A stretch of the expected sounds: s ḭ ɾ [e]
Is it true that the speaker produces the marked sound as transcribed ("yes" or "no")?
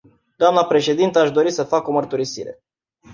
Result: yes